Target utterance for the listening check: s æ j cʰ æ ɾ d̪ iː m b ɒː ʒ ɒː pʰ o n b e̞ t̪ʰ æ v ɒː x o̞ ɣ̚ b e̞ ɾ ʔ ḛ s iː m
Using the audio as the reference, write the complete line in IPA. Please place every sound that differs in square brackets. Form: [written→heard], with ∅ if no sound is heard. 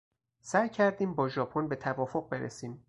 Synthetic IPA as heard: s æ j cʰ æ ɾ d̪ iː m b ɒː ʒ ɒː pʰ o n b e̞ t̪ʰ æ v ɒː [x→f] o̞ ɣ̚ b e̞ ɾ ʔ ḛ s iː m